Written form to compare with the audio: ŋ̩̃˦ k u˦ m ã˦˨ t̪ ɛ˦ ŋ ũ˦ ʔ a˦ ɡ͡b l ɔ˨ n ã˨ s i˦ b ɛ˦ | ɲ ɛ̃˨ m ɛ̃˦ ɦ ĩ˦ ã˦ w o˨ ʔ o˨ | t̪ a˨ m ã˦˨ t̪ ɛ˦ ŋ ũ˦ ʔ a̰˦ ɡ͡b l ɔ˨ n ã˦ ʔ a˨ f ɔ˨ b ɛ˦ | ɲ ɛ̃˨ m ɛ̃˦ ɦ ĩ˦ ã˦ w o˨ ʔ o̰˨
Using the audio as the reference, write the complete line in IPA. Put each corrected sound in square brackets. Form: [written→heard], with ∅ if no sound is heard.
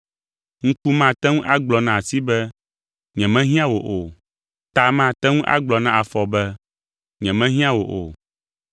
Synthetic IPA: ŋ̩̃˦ k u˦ m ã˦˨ t̪ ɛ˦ ŋ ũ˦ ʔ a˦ ɡ͡b l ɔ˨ n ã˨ s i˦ b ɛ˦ | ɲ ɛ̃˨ m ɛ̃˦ ɦ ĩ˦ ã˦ w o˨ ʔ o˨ | t̪ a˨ m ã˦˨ t̪ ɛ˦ ŋ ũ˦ ʔ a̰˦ ɡ͡b l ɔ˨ n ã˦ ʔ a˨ f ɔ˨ b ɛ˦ | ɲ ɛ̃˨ m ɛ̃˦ ɦ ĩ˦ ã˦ w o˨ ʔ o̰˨